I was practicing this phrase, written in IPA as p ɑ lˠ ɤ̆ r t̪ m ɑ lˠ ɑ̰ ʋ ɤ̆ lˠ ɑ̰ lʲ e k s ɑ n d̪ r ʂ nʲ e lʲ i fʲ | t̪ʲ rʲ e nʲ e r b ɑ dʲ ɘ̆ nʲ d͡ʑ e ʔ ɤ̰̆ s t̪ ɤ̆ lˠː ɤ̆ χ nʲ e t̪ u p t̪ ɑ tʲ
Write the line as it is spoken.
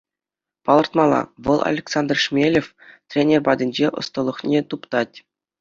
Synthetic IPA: p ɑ lˠ ɤ̆ r t̪ m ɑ lˠ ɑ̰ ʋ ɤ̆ lˠ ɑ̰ lʲ e k s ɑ n d̪ r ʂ mʲ e lʲ e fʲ | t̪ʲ rʲ e nʲ e r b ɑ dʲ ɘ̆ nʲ d͡ʑ e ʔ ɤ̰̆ s t̪ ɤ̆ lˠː ɤ̆ χ nʲ e t̪ u p t̪ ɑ tʲ